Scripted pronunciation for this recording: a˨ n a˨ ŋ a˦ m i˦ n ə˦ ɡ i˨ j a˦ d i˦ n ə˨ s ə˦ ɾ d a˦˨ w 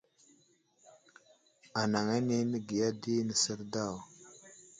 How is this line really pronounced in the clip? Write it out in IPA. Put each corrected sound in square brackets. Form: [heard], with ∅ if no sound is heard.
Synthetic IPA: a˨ n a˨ ŋ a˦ [n] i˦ n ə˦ ɡ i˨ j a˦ d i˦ n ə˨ s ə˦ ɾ d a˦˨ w